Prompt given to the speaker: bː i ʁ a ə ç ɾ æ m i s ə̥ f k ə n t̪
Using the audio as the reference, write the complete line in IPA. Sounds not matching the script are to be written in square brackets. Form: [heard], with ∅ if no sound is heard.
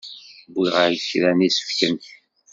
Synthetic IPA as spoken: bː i ʁ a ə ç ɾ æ [n] i s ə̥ f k ə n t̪